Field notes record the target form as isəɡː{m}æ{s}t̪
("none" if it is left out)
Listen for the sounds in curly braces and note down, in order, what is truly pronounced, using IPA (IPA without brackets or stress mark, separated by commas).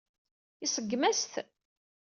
m, s